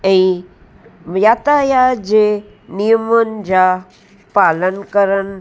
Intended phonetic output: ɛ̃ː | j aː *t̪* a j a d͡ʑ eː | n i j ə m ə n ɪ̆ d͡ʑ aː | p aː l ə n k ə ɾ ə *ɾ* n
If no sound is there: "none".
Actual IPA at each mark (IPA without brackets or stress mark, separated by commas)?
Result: t̪, none